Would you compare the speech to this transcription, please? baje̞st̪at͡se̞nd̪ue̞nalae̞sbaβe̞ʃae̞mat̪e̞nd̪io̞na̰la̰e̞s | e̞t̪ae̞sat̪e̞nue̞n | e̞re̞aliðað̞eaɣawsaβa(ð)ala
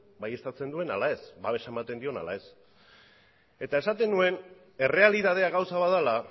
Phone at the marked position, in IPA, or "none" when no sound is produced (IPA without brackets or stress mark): ð